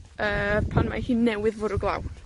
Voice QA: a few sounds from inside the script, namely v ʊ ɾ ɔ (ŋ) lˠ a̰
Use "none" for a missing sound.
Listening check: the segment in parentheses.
ɡ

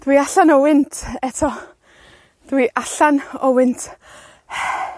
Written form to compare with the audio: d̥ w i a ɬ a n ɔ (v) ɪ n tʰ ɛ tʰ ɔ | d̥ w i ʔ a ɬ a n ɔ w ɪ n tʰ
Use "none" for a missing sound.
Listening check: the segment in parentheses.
w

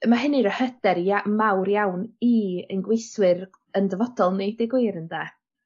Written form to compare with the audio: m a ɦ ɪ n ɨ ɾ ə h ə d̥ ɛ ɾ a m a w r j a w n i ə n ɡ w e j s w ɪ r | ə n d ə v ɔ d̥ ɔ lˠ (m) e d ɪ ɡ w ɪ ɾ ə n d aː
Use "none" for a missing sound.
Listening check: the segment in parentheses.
n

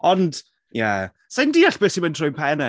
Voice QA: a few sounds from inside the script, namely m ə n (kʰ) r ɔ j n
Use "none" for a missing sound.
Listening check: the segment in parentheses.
tʰ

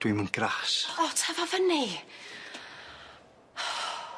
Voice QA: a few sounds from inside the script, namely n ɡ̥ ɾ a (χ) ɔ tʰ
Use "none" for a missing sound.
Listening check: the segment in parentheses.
s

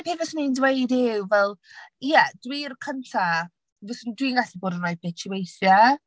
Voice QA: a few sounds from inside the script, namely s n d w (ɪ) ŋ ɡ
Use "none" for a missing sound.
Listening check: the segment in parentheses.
i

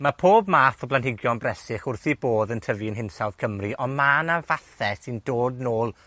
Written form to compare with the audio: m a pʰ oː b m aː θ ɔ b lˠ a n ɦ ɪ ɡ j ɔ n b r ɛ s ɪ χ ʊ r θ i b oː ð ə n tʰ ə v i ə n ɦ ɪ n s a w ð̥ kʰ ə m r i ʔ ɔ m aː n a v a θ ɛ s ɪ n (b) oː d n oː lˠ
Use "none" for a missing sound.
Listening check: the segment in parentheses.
d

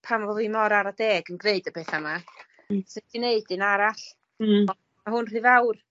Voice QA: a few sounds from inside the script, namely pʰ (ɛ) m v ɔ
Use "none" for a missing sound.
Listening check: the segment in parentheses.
a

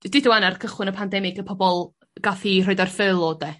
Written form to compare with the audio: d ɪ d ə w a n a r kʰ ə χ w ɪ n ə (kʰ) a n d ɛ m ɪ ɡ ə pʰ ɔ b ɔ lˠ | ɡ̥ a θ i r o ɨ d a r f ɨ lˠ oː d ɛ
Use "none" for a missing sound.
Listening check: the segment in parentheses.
pʰ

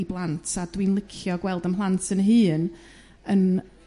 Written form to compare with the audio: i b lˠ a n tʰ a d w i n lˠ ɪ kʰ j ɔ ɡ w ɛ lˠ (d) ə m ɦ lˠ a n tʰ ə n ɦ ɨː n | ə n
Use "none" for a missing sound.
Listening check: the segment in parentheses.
d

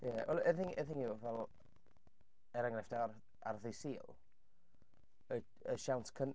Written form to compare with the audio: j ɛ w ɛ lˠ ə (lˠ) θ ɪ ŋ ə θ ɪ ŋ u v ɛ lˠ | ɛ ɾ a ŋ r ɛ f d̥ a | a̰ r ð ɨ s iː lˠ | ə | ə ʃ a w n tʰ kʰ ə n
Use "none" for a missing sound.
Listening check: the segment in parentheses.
none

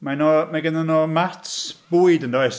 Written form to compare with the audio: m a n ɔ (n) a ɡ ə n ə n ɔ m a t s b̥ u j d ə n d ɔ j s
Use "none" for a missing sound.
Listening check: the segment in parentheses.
m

